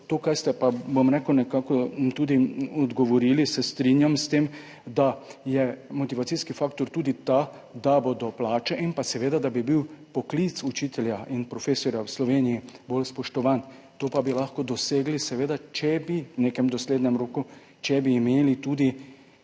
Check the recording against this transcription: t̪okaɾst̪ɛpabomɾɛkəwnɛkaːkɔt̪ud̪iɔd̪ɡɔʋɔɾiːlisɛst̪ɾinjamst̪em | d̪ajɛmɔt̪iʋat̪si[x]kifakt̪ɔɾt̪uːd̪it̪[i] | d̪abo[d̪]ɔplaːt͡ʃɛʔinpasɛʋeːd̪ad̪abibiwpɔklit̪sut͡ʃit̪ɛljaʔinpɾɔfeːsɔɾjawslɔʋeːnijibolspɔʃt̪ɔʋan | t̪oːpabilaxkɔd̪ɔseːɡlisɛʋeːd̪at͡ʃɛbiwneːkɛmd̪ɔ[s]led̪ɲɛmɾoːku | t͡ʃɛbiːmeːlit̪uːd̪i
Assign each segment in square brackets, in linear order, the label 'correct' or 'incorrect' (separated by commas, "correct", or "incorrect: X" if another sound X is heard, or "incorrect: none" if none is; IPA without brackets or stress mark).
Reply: incorrect: s, incorrect: a, correct, correct